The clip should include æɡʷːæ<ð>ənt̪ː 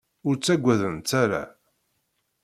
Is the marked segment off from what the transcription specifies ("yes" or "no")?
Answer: no